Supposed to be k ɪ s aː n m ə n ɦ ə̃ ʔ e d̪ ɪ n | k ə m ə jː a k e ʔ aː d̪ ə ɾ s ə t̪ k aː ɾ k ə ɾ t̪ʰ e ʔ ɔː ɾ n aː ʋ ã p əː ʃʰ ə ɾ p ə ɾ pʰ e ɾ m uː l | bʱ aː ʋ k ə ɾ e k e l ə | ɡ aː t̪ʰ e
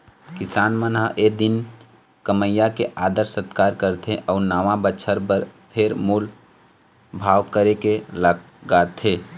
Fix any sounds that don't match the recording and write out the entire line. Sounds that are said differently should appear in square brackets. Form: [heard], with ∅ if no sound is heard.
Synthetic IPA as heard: k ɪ s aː n m ə n ɦ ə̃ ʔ e d̪ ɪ n | k ə m ə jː a k e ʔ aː d̪ ə ɾ s ə t̪ k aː ɾ k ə ɾ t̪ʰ e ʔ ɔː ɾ n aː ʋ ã [b] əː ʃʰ ə ɾ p ə ɾ pʰ e ɾ m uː l | bʱ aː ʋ k ə ɾ e k e l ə | ɡ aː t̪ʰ e